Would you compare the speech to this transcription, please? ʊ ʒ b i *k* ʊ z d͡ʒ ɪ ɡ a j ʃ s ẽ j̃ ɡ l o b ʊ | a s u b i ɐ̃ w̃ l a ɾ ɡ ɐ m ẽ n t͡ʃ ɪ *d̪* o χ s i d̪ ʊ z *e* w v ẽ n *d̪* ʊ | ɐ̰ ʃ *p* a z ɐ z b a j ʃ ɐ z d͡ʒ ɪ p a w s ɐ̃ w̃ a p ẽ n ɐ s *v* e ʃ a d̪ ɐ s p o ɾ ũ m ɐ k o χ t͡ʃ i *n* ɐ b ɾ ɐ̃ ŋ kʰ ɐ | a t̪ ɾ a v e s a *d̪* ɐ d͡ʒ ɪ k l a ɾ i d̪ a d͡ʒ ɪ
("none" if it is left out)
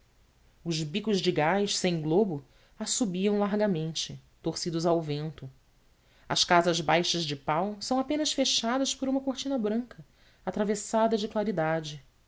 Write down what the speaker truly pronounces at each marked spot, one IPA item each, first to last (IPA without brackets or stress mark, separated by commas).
k, t̪, a, t̪, k, f, n, d̪